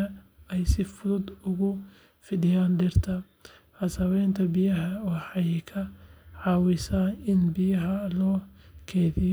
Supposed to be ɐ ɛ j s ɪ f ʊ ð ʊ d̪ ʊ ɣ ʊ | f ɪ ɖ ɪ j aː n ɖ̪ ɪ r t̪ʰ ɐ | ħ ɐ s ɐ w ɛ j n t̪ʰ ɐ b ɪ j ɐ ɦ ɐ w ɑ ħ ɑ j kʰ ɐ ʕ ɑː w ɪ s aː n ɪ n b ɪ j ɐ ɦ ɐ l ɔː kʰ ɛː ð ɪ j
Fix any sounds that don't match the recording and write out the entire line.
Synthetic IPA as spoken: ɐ ɛ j s ɪ f ʊ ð ʊ d̪ ʊ ɣ ʊ | f ɪ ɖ ɪ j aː n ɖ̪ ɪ r t̪ʰ ɐ | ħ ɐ s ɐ w ɛ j n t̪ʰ ɐ b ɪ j ɐ ɦ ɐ w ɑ ħ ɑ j kʰ ɐ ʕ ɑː w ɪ s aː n ɪ n b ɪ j ɐ ɦ ɐ l ɔː kʰ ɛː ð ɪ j

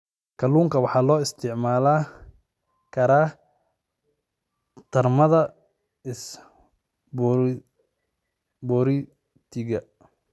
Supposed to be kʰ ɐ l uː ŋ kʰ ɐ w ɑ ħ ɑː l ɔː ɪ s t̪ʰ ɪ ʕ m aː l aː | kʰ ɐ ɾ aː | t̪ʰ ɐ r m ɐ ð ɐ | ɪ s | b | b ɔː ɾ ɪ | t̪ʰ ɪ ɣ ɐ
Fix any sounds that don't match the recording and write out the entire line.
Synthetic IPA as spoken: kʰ ɐ l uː ŋ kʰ ɐ w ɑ ħ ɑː l ɔː ɪ s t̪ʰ ɪ ʕ m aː l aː | kʰ ɐ ɾ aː | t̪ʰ ɐ r m ɐ ð ɐ | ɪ s | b | b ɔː ɾ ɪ | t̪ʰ ɪ ɣ ɐ

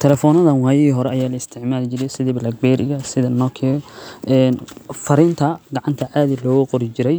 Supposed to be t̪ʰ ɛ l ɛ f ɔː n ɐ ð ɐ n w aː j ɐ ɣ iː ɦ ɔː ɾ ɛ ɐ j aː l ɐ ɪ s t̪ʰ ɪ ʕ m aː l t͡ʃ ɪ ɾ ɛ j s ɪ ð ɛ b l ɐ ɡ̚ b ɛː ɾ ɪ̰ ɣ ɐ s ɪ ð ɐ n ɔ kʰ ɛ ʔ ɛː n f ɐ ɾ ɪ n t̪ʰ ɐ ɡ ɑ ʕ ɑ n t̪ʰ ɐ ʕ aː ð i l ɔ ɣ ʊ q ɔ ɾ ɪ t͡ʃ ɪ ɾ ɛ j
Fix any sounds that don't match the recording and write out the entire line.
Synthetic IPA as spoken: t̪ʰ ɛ l ɛ f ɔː n ɐ ð ɐ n w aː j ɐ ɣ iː ɦ ɔ ɾ ɛ ɐ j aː l ɐ ɪ s t̪ʰ ɪ ʕ m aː l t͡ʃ ɪ ɾ ɛ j s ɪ ð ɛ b l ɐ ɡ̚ b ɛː ɾ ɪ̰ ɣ ɐ s ɪ ð ɐ n ɔ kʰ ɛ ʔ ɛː n f ɐ ɾ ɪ n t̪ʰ ɐ ɡ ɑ ʕ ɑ n t̪ʰ ɐ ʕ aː ð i l ɔː ɣ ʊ q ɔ ɾ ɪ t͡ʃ ɪ ɾ ɛ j

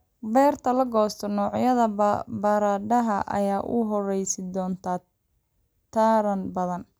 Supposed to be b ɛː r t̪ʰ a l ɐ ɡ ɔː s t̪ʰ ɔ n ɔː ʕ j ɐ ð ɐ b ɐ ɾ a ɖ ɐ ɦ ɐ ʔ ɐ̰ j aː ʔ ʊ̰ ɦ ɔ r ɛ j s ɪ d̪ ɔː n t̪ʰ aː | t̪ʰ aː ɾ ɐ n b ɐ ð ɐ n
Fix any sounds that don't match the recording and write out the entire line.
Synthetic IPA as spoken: b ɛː r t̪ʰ ɐ l ɐ ɡ ɔː s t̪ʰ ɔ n ɔː ʕ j ɐ ð ɐ b ɐ ɾ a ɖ ɐ ɦ ɐ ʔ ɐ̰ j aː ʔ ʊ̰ ɦ ɔ r ɛ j s ɪ d̪ ɔː n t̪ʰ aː | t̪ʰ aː ɾ ɐ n b ɐ ð ɐ n

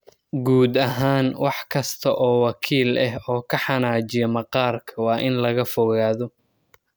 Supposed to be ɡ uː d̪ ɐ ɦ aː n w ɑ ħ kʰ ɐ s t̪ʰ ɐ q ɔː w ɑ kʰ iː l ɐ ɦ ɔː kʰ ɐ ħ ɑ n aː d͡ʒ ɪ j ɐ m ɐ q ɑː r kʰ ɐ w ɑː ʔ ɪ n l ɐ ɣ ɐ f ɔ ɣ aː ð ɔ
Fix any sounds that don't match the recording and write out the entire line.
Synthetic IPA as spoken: ɡ uː d̪ ɐ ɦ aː n w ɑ ħ kʰ ɐ s t̪ʰ ɐ ʔ ɔː w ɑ kʰ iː l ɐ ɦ ɔː kʰ ɐ ħ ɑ n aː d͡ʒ ɪ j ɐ m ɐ q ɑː r kʰ ɐ w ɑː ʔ ɪ n l ɐ ɣ ɐ f ɔ ɣ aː ð ɔ

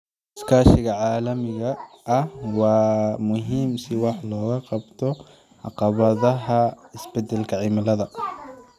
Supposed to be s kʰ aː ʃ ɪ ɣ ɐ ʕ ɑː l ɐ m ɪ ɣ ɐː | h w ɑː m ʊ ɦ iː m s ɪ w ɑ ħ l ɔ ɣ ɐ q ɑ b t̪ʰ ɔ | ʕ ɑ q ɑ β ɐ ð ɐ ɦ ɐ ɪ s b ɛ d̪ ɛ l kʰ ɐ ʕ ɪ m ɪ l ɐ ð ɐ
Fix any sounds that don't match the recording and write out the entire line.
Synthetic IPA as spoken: s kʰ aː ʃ ɪ ɣ ɐ ʕ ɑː l ɐ m ɪ ɣ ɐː | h w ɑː m ʊ ɦ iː m s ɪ w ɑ ħ l ɔː ɣ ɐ q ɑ b t̪ʰ ɔ | ʕ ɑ q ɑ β ɐ ð ɐ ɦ ɐ ɪ s b ɛ d̪ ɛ l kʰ ɐ ʕ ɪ m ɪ l ɐ ð ɐ

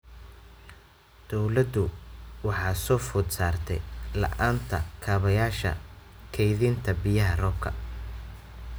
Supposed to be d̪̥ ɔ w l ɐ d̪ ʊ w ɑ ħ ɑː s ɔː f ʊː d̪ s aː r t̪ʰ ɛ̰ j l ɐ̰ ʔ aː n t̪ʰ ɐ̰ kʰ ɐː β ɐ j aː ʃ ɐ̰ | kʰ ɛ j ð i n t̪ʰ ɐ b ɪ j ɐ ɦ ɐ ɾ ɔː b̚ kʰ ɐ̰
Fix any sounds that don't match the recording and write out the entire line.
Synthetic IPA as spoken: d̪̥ ɔ w l ɐ d̪ ʊ w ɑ ħ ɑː s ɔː f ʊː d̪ s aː r t̪ʰ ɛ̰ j l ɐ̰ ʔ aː n t̪ʰ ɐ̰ kʰ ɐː β ɐ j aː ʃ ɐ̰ | kʰ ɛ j ð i n t̪ʰ ɐ b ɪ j ɐ ɦ ɐ r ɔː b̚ kʰ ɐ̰

